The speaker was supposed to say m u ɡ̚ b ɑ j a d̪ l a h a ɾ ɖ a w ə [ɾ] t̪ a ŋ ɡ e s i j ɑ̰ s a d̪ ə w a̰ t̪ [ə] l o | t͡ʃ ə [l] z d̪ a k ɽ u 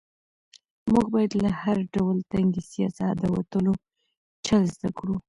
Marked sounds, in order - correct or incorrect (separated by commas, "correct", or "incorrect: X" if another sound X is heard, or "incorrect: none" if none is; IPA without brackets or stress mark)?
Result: incorrect: l, correct, correct